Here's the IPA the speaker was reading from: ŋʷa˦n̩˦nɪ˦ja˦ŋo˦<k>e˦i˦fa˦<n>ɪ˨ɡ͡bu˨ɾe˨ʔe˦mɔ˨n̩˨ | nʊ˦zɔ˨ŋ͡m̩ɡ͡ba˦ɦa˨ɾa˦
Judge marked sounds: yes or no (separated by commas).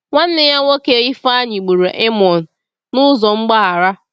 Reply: yes, no